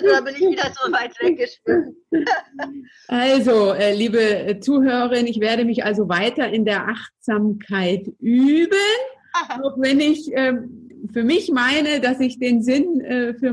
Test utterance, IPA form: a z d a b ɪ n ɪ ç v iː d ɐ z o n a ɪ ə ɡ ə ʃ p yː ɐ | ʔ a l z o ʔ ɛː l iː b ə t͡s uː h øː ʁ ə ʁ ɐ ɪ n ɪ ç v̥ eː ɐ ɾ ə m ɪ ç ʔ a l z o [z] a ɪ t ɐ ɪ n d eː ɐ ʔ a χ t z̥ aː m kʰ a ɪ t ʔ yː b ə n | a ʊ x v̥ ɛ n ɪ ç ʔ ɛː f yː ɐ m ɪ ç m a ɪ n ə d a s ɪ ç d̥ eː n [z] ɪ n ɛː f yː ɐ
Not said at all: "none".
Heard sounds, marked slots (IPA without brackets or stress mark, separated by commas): v, z